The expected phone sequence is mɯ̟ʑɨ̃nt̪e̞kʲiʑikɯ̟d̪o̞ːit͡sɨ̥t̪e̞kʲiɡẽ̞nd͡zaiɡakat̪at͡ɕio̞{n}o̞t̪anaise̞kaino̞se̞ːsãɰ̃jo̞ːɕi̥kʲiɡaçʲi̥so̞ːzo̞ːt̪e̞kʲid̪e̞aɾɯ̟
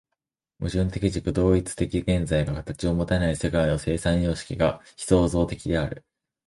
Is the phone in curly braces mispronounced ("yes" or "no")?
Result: yes